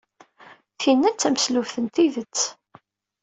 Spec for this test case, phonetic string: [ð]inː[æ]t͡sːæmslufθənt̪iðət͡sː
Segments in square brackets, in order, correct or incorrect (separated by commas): incorrect, correct